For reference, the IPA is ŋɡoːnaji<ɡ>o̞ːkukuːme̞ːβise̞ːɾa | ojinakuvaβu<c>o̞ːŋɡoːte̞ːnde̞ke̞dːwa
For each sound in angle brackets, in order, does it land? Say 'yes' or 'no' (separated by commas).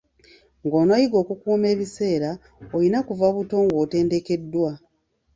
yes, no